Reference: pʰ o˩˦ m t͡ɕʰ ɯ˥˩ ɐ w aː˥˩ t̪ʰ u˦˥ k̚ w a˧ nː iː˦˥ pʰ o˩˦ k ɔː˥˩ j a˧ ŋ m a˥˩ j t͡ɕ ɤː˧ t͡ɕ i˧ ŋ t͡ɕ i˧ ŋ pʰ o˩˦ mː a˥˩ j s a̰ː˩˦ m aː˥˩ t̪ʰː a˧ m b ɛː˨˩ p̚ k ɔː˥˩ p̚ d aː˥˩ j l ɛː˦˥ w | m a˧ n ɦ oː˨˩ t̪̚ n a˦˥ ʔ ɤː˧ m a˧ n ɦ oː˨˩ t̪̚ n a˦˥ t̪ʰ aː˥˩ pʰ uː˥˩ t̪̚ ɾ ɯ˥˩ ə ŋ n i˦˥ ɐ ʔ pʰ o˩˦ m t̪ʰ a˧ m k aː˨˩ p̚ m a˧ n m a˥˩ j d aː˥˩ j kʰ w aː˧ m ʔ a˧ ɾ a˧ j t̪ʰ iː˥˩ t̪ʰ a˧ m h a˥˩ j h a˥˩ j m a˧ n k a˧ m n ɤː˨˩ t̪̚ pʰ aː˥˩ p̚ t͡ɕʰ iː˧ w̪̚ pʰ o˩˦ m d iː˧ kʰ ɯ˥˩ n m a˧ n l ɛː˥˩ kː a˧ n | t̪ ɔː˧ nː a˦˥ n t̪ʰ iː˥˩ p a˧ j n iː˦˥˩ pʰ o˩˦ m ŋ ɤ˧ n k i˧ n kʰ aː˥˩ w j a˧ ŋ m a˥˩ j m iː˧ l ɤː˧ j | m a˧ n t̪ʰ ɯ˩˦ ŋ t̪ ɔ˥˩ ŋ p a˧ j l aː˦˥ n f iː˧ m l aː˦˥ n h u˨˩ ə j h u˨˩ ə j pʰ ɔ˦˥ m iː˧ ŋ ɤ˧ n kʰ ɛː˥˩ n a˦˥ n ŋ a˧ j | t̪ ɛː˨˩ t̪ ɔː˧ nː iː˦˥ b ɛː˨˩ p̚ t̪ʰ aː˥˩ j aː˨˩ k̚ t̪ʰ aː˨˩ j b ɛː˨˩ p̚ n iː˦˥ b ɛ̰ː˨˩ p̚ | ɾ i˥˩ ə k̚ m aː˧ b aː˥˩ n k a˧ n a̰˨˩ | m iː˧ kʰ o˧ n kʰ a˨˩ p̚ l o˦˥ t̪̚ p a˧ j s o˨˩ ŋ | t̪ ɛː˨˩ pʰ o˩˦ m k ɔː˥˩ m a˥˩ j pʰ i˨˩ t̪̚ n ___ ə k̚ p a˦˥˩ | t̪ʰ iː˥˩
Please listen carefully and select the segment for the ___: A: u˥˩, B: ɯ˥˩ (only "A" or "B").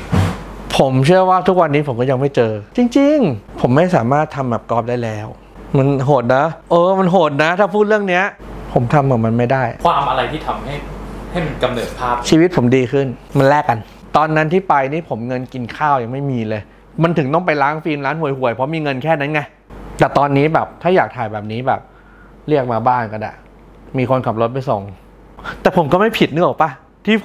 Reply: B